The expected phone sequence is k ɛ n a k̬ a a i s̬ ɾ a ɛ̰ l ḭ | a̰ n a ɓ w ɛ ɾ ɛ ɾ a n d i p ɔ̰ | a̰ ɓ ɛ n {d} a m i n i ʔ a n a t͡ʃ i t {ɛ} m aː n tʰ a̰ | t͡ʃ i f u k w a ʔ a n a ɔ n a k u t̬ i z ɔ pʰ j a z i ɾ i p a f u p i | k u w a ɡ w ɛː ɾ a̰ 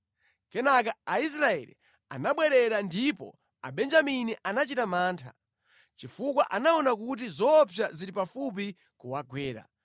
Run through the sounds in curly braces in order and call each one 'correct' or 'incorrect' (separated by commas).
incorrect, incorrect